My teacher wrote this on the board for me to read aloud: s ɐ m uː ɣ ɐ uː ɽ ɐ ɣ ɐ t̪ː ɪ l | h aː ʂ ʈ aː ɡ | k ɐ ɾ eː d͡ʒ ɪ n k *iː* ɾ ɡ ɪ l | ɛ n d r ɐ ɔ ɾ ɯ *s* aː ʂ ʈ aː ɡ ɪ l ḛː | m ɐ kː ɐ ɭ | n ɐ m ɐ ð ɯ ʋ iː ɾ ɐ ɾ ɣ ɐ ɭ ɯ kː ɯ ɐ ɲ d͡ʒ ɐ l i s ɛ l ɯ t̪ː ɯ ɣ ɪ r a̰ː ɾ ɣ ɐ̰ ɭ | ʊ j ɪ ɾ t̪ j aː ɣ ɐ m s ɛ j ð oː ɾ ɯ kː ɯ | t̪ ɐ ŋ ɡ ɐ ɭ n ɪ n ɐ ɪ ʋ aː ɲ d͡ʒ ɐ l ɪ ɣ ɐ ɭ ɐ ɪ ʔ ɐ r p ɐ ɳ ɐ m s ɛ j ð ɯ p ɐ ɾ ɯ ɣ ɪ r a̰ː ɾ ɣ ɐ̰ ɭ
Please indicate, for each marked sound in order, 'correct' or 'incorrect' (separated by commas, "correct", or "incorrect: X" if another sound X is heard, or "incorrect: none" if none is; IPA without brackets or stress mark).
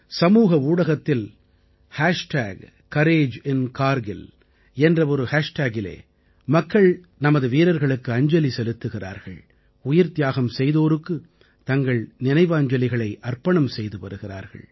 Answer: incorrect: aː, incorrect: h